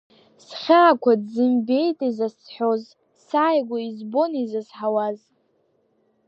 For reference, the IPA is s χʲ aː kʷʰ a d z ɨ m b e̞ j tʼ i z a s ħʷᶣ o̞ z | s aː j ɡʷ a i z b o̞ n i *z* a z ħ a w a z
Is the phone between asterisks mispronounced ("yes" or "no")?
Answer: no